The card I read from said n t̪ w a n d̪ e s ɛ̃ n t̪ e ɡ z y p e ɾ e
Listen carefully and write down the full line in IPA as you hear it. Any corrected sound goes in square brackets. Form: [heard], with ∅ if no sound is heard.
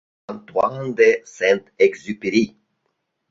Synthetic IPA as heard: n t̪ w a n d̪ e s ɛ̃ n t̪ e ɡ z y p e ɾ [i]